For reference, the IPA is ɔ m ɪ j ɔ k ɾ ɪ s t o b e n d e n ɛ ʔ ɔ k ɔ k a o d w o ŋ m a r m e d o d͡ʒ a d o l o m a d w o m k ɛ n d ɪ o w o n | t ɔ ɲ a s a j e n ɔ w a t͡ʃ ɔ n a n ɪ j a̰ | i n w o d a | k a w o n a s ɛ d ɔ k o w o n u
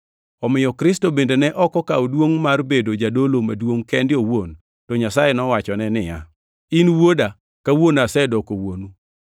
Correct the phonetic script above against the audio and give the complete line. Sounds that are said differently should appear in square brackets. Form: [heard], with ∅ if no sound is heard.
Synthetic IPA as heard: ɔ m ɪ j ɔ k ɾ ɪ s t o b e n d e n ɛ ʔ ɔ k ɔ k a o d w o ŋ m a r [b] e d o d͡ʒ a d o l o m a d w o [ŋ] k ɛ n d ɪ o w o n | t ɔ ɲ a s a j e n ɔ w a t͡ʃ ɔ n [ɛ] n ɪ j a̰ | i n w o d a | k a w o n a s ɛ d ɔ k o w o n u

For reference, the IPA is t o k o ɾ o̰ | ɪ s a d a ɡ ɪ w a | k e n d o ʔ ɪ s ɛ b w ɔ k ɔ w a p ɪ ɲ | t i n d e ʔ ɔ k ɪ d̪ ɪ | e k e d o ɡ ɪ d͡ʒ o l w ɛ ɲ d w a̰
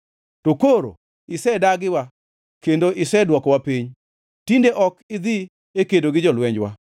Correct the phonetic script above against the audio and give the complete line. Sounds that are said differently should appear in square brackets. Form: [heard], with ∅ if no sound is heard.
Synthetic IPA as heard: t o k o ɾ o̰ | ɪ s [ɛ] d a ɡ ɪ w a | k e n d o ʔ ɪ s ɛ [d] w ɔ k ɔ w a p [i] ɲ | t i n d e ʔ ɔ k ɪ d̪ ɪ | e k e d o ɡ ɪ d͡ʒ [ɔ] l w ɛ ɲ [d͡ʒ] w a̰

